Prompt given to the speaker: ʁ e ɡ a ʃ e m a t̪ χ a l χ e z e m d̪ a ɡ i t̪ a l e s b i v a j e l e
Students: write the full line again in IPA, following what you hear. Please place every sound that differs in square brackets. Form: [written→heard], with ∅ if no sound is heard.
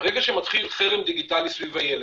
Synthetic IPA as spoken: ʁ e ɡ a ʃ e m a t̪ χ [a→i] l χ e [z→ʁ] e m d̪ [a→i] ɡ i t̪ a l [e→i] s [b→v] i v a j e l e